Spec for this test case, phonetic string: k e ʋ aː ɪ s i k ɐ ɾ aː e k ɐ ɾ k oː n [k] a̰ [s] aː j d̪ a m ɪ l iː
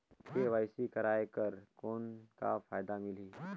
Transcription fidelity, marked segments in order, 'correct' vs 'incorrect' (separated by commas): correct, incorrect